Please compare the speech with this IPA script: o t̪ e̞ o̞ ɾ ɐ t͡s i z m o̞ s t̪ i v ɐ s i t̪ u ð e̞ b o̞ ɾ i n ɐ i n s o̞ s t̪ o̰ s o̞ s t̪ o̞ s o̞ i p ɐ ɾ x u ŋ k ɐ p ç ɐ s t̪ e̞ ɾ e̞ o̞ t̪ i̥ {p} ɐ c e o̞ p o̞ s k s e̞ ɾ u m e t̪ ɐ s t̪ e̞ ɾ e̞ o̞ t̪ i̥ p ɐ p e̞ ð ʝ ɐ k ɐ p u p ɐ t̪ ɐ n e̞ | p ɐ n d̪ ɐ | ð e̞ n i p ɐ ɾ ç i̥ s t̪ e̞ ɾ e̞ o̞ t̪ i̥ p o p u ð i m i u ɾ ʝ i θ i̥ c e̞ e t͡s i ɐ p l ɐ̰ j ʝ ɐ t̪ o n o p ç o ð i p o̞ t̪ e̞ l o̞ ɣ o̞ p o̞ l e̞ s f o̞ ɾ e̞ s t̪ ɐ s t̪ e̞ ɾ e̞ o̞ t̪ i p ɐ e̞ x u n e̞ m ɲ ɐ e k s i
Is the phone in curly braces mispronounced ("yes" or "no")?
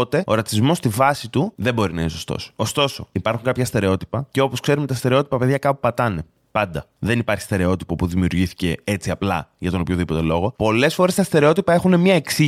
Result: no